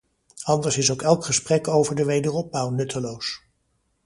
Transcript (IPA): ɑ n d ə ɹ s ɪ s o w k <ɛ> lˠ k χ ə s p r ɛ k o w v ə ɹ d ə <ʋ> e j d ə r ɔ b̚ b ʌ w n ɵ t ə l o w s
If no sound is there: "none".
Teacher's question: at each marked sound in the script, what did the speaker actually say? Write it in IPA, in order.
ɛ, ʋ

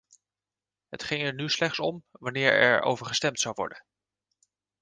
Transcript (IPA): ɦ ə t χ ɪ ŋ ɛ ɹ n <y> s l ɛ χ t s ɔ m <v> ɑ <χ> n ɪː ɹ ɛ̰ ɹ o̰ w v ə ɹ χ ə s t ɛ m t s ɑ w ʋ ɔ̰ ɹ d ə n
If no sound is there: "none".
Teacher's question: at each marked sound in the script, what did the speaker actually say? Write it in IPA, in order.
y, ʋ, none

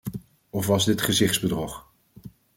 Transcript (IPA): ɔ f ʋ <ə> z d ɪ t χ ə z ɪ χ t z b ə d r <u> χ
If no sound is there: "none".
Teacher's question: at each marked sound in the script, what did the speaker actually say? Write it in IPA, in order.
ɑ, ɔ

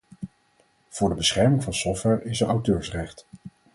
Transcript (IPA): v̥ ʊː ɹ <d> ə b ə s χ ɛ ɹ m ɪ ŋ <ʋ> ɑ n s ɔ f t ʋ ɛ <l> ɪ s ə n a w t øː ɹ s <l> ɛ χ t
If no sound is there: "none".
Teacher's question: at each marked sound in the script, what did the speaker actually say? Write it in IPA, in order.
d, v, ɹ, r

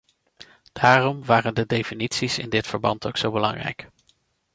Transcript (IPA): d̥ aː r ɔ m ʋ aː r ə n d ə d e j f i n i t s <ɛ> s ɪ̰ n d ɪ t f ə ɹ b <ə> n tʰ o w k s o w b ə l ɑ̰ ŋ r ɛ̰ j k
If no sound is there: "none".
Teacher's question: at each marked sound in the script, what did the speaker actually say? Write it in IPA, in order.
i, ɑ

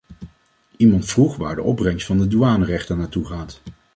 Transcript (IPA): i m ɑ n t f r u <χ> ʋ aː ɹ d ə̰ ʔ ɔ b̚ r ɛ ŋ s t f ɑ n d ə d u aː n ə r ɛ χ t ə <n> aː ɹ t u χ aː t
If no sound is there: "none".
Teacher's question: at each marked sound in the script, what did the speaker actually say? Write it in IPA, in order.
χ, n

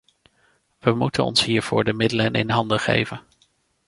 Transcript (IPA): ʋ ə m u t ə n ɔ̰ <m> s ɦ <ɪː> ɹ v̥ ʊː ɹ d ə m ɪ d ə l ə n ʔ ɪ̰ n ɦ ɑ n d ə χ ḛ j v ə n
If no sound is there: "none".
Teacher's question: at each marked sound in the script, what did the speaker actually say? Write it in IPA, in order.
n, iː

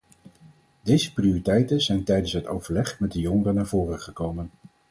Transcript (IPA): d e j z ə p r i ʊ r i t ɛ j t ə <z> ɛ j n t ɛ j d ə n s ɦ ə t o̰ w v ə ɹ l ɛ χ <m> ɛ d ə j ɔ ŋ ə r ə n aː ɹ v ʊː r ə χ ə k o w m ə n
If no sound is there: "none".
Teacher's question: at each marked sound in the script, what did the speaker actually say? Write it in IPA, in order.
z, m

